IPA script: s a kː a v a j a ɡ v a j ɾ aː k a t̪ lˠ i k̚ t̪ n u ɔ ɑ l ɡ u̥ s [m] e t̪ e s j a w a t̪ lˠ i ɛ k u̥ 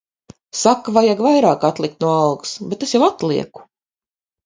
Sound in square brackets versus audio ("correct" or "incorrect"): incorrect